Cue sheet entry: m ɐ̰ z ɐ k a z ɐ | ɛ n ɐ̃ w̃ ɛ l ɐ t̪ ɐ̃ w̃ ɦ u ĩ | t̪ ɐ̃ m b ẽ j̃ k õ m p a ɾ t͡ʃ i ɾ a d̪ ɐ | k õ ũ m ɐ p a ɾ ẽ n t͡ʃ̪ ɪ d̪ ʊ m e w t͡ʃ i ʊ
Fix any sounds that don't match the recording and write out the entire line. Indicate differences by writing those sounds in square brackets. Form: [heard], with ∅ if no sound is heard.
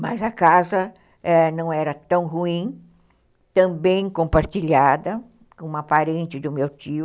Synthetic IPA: m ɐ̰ z ɐ k a z ɐ | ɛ n ɐ̃ w̃ ɛ [ɾ] ɐ t̪ ɐ̃ w̃ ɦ u ĩ | t̪ ɐ̃ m b ẽ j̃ k õ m p a ɾ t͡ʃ i [ʎ] a d̪ ɐ | k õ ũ m ɐ p a ɾ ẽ n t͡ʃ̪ ɪ d̪ ʊ m e w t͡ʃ i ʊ